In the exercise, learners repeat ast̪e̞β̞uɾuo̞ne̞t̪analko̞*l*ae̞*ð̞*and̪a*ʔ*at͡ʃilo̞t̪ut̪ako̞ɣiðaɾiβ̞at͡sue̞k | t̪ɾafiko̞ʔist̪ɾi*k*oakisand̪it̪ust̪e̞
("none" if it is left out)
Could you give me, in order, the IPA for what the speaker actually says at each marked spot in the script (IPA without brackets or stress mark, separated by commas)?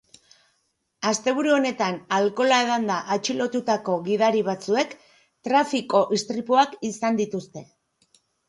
l, ð̞, ʔ, p